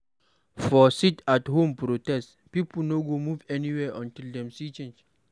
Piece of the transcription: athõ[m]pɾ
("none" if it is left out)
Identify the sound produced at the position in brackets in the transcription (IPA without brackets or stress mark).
m